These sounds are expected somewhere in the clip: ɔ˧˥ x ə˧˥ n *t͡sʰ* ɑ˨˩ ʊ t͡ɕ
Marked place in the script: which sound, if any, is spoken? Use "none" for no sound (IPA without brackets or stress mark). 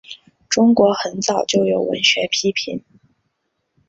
t͡s